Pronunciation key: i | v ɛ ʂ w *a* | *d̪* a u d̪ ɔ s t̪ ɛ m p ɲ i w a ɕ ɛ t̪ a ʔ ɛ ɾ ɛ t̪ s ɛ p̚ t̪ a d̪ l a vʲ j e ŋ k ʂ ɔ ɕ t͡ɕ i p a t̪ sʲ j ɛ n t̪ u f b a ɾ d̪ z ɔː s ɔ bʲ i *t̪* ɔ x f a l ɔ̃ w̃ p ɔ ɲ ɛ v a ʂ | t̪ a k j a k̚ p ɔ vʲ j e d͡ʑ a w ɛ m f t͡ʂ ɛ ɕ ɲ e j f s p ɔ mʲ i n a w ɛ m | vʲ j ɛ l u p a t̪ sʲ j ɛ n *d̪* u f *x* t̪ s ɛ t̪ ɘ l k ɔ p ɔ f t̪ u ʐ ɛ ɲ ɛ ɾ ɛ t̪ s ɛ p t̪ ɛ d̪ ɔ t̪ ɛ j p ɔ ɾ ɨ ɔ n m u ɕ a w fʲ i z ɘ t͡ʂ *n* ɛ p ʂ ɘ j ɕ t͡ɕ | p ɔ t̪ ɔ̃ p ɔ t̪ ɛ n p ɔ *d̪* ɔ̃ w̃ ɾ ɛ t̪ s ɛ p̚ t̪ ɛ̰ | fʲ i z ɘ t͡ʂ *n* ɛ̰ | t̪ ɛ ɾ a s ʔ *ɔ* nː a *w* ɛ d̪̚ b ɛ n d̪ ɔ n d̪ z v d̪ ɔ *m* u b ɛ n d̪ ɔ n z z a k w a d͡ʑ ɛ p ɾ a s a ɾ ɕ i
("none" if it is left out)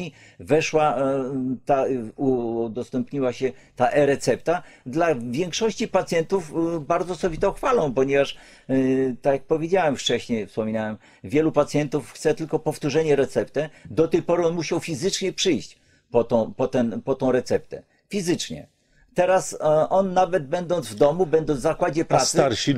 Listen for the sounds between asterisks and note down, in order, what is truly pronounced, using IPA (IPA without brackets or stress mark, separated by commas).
a, t̪, t̪, t̪, x, ɲ, t̪, ɲ, ɔ, v, m